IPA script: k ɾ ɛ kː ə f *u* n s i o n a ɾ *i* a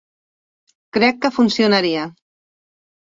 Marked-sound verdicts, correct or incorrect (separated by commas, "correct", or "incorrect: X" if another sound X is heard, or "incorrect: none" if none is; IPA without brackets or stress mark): correct, correct